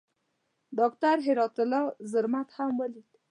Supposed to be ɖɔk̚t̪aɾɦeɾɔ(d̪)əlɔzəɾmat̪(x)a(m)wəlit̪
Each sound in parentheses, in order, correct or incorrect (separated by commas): incorrect, incorrect, correct